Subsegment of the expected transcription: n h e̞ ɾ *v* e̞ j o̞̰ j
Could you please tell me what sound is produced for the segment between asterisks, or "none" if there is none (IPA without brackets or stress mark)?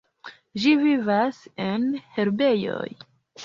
b